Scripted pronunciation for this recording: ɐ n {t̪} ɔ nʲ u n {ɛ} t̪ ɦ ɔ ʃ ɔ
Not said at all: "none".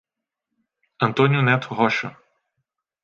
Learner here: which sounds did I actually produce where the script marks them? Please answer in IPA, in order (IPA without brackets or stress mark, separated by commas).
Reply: t̪, ɛ